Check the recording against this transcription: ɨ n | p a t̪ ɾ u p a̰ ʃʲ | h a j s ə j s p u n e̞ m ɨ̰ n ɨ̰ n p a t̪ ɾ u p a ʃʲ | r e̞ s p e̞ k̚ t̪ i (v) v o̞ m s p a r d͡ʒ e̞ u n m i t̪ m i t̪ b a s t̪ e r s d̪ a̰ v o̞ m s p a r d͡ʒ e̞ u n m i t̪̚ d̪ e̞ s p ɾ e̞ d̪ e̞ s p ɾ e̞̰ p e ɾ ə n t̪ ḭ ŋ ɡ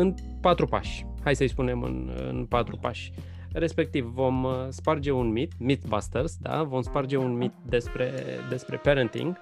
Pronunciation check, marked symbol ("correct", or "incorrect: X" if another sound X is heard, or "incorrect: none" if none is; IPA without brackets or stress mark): correct